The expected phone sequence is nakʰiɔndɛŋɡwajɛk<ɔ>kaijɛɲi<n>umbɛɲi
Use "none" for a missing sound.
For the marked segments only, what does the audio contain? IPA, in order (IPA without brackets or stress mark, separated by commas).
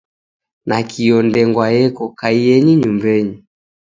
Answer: ɔ, ɲ